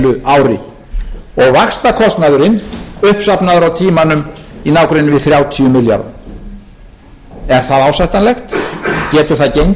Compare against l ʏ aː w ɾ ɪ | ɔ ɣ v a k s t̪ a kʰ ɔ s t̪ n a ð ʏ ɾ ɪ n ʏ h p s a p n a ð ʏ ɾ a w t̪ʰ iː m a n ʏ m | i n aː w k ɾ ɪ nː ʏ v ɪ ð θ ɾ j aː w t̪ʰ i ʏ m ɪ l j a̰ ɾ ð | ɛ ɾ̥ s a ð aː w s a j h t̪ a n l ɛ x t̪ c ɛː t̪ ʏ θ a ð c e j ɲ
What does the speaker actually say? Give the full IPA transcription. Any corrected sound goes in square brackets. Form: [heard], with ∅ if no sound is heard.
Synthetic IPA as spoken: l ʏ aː w ɾ ɪ | ɔ ɣ v a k s t̪ a kʰ ɔ s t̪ n a ð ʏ ɾ ɪ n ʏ h p s a p n a ð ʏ ɾ a w t̪ʰ iː m a n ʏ m | i n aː w k ɾ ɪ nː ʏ v ɪ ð θ ɾ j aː w t̪ʰ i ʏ m ɪ l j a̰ ɾ ð | ɛ ɾ̥ [θ] a ð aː w s a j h t̪ a n l ɛ x t̪ c ɛː t̪ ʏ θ a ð c e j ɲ